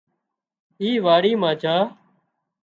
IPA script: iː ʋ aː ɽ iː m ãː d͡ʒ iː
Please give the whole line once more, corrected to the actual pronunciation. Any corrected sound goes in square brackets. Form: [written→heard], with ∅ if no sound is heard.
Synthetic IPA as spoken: iː ʋ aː ɽ iː m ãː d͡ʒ [iː→aː]